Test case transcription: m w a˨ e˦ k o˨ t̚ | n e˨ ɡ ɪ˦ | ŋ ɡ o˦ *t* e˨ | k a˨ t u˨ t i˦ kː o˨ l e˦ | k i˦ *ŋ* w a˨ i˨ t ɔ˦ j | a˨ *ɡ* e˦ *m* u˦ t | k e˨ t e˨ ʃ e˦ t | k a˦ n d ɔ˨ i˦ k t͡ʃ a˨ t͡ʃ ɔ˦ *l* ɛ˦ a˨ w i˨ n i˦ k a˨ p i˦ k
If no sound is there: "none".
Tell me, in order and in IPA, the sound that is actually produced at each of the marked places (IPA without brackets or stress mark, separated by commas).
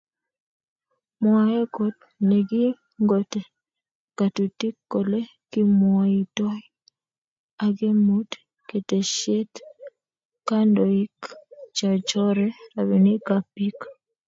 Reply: t, m, ɡ, m, ɾ